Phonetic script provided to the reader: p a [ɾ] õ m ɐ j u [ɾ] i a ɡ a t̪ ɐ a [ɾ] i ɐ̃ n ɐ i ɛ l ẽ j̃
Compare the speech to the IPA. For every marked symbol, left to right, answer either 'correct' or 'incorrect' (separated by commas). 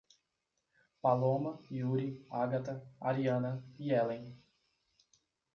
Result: incorrect, correct, correct